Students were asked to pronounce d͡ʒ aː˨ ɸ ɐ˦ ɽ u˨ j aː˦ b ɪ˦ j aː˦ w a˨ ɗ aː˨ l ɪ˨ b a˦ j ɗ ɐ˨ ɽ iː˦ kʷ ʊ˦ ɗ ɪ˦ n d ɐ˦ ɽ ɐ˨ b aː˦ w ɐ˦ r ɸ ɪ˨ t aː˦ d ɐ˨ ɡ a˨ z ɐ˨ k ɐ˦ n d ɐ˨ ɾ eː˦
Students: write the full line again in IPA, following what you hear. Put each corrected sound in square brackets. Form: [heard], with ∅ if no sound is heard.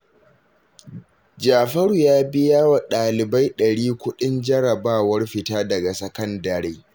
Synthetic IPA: d͡ʒ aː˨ ɸ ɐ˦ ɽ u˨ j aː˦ b ɪ˦ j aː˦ w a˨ ɗ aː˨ l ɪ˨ b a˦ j ɗ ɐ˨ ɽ iː˦ kʷ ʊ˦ ɗ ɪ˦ n [d͡ʒ] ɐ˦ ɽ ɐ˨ b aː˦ w ɐ˦ r ɸ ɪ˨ t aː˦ d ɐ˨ ɡ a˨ [s] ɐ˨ k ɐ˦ n d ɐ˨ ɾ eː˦